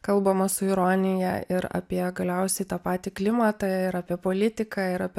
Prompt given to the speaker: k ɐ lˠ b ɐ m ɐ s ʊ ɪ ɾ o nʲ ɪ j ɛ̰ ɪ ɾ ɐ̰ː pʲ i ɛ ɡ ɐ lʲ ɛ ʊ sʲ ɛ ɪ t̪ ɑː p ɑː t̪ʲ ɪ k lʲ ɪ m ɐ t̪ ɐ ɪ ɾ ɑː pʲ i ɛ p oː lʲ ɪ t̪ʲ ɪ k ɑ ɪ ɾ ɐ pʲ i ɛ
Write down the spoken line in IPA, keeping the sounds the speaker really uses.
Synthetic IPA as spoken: k ɐ lˠ b ɐ m ɐ s ʊ ɪ ɾ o nʲ ɪ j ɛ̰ ɪ ɾ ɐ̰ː pʲ i ɛ ɡ ɐ lʲ ɛ ʊ sʲ ɛ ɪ t̪ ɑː p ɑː t̪ʲ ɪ k lʲ ɪ m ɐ t̪ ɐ ɪ ɾ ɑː pʲ i ɛ p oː lʲ ɪ t̪ʲ ɪ k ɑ ɪ ɾ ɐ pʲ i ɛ